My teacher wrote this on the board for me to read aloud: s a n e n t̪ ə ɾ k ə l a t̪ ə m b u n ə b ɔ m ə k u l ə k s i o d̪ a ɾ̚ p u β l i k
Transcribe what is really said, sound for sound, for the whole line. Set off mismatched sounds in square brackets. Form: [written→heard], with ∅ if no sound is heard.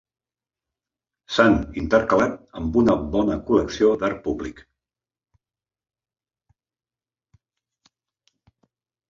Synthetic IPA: s a n [e→i] n t̪ ə ɾ k ə l a t̪ ə m b u n ə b ɔ [m→n] ə k u l ə k s i o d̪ a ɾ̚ p u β l i k

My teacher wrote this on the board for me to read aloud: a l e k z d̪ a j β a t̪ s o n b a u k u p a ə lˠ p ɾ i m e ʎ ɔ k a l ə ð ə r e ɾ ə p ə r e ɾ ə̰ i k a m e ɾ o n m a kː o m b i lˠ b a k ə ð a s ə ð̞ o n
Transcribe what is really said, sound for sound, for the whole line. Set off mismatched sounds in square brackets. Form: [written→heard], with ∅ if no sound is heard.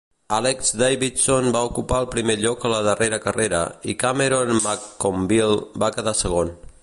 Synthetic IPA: a l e k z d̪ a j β [a→i] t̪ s o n b a u k u p a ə lˠ p ɾ i m e ʎ ɔ k [a→ə] l ə ð ə r e ɾ ə [p→k] ə r e ɾ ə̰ i k a m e ɾ o n m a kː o m b i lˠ b a k ə ð a s ə [ð̞→ɣ̞] o n

